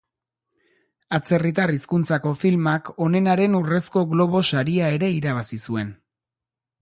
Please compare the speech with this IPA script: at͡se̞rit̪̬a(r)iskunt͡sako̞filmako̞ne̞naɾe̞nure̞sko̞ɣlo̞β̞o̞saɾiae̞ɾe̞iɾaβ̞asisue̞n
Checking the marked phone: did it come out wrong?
no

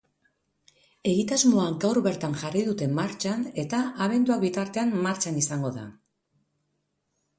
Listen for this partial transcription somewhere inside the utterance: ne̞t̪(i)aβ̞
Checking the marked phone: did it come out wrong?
yes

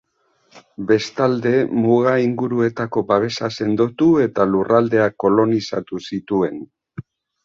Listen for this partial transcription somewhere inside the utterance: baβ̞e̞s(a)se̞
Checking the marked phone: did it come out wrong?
no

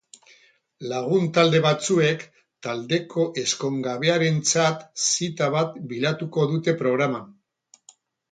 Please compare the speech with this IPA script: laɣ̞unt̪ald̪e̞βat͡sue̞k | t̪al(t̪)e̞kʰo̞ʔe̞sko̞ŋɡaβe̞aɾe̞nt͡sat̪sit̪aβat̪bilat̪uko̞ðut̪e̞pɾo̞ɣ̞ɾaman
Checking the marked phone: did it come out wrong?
yes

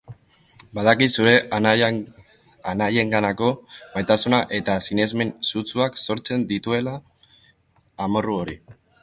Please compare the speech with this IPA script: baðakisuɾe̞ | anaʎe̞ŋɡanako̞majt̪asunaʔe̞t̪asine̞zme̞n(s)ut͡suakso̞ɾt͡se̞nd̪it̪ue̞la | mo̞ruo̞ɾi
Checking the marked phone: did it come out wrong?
no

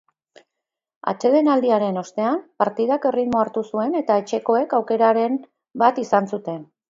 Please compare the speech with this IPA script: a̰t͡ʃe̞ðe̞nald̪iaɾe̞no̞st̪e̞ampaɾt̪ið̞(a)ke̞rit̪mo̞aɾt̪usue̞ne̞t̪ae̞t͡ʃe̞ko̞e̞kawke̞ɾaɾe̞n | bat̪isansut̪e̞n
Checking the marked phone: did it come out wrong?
no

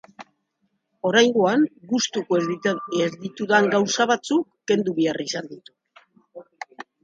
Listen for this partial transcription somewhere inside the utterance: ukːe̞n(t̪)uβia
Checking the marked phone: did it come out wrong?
yes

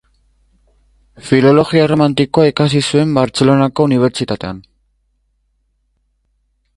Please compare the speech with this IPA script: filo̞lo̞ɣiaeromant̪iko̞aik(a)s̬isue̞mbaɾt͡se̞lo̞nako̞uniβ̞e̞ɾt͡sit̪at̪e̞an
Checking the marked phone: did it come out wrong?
no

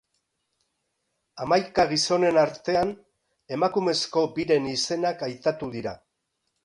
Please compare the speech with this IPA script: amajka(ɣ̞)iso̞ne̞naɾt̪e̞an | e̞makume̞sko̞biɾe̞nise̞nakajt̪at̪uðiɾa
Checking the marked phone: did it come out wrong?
no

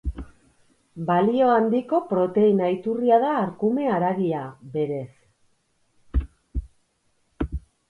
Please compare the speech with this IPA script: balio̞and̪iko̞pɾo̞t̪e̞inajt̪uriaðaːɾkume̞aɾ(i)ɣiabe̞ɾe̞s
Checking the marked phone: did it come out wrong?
yes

